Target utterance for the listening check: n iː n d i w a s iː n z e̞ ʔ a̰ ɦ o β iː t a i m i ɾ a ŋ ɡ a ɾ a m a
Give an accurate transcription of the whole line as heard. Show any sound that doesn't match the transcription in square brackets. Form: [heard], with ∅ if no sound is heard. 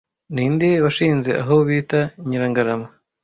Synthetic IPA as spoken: n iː n d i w a [ʃ] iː n z e̞ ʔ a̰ ɦ o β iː t a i [ɲ] i ɾ a ŋ ɡ a ɾ a m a